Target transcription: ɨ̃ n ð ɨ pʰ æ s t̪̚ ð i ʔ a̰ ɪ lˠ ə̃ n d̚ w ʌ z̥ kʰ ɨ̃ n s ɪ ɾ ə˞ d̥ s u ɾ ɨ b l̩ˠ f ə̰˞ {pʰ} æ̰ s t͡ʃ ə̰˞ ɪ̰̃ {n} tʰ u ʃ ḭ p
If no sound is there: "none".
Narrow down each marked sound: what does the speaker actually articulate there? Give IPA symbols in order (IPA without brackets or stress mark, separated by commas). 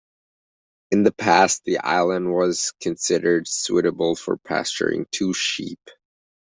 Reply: pʰ, ŋ